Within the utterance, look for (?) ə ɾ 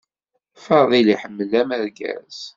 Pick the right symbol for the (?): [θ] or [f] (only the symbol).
f